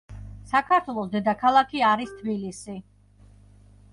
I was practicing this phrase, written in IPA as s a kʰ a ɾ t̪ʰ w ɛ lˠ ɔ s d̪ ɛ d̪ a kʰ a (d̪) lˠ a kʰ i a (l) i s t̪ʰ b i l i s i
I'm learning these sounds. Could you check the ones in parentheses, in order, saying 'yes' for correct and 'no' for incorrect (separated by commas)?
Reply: no, no